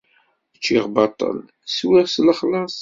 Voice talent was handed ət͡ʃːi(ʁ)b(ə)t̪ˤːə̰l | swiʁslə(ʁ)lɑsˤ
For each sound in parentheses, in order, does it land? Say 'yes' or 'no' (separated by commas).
yes, no, no